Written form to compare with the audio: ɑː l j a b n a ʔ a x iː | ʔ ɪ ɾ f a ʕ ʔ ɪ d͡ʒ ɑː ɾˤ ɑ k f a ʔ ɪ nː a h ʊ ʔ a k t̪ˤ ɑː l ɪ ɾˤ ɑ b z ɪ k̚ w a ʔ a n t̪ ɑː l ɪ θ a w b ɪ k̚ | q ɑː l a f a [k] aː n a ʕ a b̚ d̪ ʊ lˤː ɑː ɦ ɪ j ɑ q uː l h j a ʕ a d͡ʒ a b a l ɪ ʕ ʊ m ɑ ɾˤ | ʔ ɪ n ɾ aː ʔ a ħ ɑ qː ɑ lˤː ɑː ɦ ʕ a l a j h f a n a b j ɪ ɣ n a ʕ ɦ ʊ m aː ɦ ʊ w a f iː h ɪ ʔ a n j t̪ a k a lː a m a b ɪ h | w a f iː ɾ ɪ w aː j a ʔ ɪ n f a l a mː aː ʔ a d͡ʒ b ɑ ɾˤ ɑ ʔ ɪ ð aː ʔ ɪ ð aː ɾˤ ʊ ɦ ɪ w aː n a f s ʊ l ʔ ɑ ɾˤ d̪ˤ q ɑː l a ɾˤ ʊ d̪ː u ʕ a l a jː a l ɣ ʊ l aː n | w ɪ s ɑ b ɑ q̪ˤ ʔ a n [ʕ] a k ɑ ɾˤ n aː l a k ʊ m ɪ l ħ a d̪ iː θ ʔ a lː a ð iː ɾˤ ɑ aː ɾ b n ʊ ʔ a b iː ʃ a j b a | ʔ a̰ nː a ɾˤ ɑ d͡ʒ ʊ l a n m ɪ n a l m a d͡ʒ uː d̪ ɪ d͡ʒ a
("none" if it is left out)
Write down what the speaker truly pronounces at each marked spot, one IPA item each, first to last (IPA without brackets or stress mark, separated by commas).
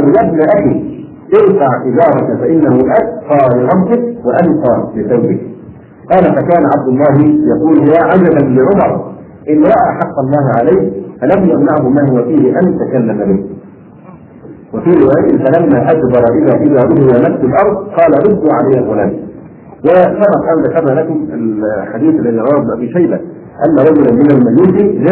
k, ð